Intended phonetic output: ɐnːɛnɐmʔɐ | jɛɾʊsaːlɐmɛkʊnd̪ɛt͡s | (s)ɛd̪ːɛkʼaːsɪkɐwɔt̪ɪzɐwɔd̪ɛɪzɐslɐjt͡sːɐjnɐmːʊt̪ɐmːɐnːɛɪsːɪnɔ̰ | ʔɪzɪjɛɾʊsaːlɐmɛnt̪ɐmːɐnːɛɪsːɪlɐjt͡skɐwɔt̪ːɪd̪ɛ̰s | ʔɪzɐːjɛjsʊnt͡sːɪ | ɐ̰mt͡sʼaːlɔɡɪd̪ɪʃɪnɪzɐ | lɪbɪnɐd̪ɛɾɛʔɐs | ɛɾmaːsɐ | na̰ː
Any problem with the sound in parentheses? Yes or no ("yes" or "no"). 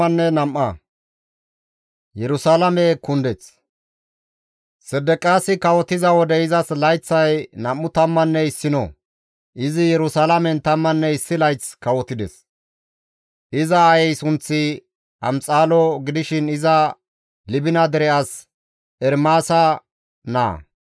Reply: no